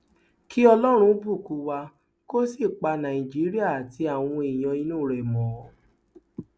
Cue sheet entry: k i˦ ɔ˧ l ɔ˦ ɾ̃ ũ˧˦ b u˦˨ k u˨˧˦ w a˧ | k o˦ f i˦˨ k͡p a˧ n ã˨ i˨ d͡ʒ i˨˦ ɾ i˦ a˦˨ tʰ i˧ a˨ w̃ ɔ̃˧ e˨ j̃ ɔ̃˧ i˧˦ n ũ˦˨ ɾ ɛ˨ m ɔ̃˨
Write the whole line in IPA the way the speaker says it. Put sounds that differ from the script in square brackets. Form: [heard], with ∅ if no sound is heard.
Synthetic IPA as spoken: k i˦ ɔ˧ l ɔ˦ ɾ̃ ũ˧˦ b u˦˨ k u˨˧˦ w a˧ | k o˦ [s] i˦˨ k͡p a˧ n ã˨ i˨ d͡ʒ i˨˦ ɾ i˦ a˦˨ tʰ i˧ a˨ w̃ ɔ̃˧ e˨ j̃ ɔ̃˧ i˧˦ n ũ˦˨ ɾ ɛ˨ m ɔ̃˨